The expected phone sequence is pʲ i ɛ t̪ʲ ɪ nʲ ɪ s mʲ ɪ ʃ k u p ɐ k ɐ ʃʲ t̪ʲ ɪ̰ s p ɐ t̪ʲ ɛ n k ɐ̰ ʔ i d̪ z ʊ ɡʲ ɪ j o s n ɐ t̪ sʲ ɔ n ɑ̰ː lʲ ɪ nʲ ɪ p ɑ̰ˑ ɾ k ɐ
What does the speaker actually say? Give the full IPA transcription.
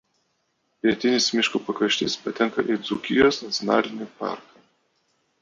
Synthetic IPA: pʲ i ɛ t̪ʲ ɪ nʲ ɪ s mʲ ɪ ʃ k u p ɐ k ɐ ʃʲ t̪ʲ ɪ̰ s p ɐ t̪ʲ ɛ ŋ k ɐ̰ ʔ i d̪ z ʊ kʲ ɪ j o s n ɐ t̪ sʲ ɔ n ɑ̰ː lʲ ɪ nʲ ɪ p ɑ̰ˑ ɾ k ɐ